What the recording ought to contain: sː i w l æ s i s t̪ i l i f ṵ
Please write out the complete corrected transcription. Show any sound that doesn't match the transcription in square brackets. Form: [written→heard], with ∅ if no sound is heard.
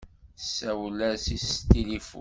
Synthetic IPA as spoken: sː [i→æ] w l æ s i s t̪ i l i f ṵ

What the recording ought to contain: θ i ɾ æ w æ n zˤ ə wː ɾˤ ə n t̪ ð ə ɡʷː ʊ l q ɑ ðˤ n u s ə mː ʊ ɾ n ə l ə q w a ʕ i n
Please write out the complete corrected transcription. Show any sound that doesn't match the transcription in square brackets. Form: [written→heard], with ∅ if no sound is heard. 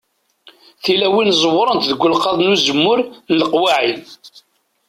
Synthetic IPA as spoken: θ i [ɾ→l] æ w [æ→i] n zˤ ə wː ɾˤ ə n t̪ ð ə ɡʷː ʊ l q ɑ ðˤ n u [s→z] ə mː ʊ ɾ n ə l ə q w a ʕ i n

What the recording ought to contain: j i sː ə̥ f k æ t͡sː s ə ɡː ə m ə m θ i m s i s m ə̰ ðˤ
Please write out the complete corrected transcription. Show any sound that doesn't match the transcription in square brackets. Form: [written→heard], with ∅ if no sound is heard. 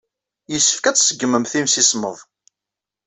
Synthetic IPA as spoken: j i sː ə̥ f k æ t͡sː s ə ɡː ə m ə m θ i m s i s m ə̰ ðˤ

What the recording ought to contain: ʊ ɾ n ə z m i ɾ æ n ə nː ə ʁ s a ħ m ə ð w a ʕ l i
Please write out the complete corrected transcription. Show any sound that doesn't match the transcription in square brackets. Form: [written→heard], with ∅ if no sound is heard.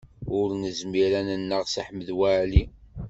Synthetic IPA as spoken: ʊ ɾ n ə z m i ɾ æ n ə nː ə ʁ s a ħ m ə ð w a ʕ l i

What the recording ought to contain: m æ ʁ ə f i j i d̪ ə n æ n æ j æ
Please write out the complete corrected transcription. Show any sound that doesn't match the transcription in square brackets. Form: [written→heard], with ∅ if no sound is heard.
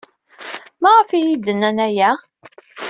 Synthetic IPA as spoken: m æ ʁ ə f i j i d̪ ə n æ n æ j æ

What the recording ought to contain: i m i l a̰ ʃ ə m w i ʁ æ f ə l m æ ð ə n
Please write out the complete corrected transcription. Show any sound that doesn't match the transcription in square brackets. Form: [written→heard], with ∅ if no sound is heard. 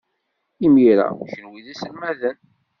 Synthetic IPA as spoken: i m i [l→ɾ] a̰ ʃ ə [m→n] w i [ʁ→ð] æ [f→s] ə l m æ ð ə n

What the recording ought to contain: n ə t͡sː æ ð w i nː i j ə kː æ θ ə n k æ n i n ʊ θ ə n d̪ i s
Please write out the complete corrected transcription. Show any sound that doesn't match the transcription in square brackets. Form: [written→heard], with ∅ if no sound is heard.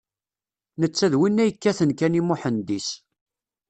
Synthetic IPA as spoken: n ə t͡sː æ ð w i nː [i→æ] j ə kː æ θ ə n k æ n i [n→m] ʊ [θ→ħ] ə n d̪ i s

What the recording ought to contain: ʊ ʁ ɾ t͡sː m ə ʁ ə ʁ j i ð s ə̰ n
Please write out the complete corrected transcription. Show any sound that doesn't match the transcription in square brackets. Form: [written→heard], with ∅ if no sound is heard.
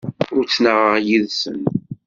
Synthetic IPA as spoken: ʊ [ʁ→∅] ɾ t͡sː [m→n] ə ʁ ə ʁ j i ð s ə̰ n

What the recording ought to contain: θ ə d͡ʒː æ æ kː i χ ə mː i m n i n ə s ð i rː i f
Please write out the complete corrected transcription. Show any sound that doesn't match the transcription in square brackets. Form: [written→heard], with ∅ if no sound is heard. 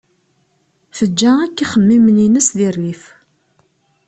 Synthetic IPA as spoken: θ ə d͡ʒː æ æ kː i χ ə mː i m n i n ə s ð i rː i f

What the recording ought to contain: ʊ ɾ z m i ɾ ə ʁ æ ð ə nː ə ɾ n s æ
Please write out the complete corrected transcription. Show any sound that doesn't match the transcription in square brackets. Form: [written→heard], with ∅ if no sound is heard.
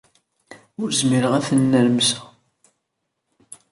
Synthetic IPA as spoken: ʊ ɾ z m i ɾ ə ʁ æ [ð→θ] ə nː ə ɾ [n→m] s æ

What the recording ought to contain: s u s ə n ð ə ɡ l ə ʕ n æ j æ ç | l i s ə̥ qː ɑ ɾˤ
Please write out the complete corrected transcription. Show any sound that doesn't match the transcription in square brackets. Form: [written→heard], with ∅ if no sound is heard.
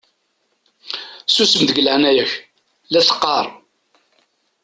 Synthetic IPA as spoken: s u s ə [n→m] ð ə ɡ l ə ʕ n æ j æ ç | l [i→æ] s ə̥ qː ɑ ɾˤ

